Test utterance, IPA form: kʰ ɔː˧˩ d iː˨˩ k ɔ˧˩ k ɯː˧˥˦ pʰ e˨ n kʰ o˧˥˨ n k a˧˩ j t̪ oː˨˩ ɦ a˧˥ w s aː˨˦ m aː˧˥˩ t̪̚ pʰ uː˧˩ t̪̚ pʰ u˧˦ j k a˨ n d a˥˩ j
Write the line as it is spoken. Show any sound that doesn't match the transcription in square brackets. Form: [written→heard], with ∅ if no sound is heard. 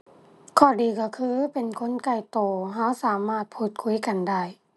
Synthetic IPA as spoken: kʰ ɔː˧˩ d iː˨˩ k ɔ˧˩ [k→kʰ] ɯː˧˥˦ [pʰ→p] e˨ n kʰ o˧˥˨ n k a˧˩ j t̪ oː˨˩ ɦ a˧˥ w s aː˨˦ m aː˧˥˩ t̪̚ pʰ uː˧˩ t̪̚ [pʰ→kʰ] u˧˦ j k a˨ n d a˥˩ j